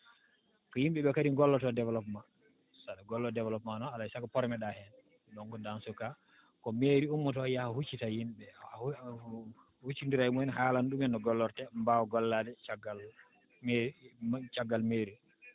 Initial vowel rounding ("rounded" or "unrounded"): rounded